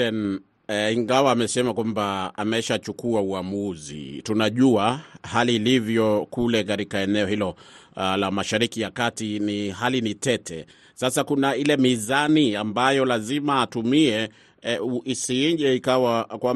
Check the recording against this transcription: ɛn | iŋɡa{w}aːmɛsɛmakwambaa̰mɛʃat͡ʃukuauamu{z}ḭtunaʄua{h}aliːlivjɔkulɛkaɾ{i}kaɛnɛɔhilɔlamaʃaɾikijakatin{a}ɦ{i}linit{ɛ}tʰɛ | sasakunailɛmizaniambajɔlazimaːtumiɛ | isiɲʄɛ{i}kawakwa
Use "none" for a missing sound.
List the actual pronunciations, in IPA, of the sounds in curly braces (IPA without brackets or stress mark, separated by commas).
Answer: w, z, h, i, i, a, ɛ, i